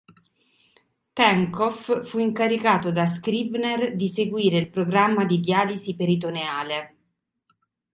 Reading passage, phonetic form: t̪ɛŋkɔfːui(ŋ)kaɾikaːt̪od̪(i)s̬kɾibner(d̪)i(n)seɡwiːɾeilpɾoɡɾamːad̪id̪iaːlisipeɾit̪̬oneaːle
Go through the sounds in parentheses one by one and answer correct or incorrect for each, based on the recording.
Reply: correct, incorrect: a, correct, incorrect: none

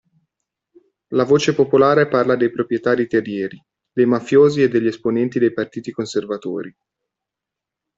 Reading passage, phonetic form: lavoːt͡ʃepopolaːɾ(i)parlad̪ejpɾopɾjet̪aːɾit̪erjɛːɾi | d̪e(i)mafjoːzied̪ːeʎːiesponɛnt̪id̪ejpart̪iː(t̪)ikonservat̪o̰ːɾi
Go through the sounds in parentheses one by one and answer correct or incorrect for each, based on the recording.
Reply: incorrect: e, incorrect: j, correct

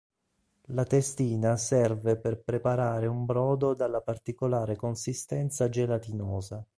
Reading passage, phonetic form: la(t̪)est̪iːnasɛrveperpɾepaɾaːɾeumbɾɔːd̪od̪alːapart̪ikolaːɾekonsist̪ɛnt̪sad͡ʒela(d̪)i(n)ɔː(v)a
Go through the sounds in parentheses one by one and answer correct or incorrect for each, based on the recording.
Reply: correct, incorrect: t̪, correct, incorrect: z

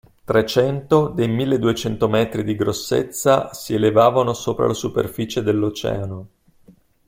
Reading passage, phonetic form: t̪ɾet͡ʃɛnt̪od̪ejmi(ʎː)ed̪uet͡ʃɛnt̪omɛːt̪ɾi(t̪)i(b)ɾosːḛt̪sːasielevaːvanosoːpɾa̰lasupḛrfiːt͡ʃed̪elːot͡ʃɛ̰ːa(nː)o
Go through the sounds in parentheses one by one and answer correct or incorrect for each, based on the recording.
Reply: incorrect: lː, incorrect: d̪, incorrect: ɡ, incorrect: n

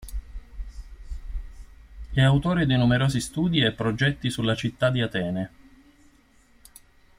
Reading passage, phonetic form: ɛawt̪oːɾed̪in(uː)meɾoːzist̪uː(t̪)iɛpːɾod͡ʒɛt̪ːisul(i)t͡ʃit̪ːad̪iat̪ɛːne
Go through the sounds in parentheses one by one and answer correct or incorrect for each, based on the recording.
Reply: incorrect: u, incorrect: d̪, incorrect: a

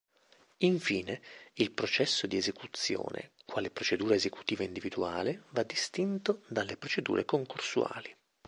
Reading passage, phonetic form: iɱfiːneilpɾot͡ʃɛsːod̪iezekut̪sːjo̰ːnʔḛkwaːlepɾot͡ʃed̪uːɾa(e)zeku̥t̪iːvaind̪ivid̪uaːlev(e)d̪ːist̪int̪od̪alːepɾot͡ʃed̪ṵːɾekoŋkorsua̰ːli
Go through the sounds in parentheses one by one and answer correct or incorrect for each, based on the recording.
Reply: correct, incorrect: a

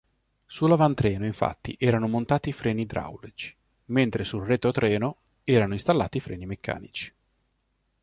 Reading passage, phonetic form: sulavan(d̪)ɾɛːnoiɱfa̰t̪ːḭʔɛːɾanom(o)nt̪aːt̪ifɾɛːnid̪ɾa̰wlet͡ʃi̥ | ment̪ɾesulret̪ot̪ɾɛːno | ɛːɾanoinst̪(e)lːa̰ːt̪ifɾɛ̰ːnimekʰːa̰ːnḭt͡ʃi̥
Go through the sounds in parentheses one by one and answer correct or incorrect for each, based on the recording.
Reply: incorrect: t̪, correct, incorrect: a

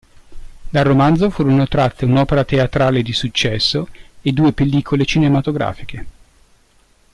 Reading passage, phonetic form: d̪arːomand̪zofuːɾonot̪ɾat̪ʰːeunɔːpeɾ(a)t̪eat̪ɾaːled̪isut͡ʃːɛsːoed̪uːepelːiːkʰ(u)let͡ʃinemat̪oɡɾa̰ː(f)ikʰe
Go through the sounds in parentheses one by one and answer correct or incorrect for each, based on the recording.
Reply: correct, incorrect: o, correct

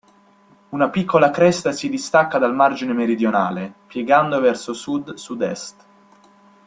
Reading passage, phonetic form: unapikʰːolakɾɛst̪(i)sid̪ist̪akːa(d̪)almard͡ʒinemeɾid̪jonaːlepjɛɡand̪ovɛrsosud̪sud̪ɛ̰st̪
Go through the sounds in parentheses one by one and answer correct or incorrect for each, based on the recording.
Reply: incorrect: a, correct

